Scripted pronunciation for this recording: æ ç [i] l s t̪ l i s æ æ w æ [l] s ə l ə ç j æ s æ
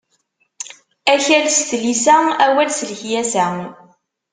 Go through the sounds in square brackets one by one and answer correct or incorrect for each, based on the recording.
incorrect, correct

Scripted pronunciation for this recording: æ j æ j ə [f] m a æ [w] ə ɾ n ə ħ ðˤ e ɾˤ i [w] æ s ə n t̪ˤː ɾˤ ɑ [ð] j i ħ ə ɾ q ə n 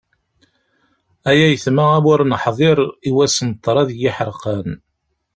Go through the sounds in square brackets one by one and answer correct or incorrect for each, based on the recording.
incorrect, correct, correct, correct

